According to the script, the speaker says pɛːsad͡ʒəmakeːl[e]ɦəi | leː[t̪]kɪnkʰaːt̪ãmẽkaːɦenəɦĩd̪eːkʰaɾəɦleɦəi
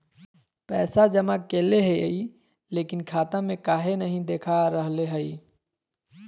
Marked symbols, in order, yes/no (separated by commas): yes, no